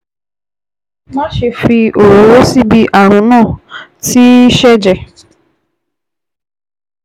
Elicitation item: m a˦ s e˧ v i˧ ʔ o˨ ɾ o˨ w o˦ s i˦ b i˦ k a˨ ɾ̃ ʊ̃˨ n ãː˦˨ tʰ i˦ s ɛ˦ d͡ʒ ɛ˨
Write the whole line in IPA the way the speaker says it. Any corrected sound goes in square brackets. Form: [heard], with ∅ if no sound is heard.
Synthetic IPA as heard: m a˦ [ʃ] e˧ [f] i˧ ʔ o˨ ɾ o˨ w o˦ s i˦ b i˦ [ʔ] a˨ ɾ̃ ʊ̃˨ n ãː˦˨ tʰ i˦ [ʃ] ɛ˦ d͡ʒ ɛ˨